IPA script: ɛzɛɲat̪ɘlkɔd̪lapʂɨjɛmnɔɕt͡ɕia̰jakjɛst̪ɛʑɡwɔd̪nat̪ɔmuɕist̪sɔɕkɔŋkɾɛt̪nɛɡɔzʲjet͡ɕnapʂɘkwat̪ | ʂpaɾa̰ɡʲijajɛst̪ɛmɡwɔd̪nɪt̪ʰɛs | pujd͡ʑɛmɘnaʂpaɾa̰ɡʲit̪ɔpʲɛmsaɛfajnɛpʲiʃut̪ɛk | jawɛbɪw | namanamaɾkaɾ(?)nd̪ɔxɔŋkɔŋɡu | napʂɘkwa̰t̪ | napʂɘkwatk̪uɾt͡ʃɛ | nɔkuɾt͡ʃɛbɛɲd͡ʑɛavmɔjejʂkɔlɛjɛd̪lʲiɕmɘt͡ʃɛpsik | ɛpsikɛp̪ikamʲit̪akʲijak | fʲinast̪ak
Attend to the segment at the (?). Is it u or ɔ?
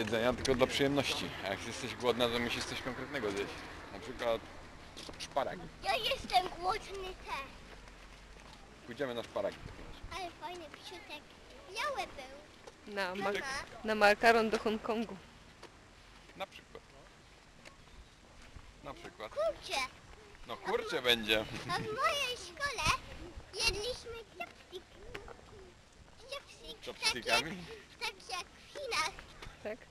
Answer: ɔ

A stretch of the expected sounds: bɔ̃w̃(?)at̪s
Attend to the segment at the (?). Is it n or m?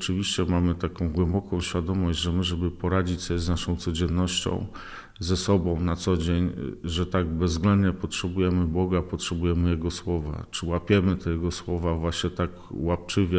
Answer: n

